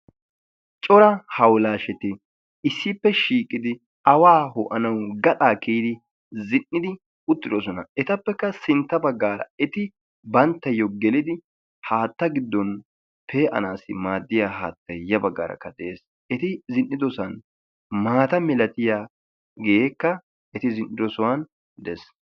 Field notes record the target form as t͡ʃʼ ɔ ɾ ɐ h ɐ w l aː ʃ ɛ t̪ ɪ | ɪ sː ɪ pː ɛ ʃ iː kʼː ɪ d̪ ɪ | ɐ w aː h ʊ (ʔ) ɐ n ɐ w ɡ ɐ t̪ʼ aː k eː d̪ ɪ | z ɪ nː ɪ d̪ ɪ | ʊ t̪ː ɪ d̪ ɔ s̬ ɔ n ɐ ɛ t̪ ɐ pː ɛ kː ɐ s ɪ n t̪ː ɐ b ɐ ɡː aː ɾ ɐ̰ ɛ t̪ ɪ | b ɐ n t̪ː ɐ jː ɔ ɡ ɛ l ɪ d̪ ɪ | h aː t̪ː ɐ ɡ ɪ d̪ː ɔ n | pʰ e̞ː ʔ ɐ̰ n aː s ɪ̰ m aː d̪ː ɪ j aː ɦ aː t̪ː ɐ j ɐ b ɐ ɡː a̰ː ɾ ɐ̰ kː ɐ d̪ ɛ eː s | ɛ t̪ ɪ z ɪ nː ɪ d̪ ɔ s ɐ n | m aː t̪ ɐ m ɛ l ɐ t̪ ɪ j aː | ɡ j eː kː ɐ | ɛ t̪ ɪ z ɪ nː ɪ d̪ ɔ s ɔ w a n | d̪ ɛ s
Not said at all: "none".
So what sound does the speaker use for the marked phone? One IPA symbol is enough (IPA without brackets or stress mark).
ʔ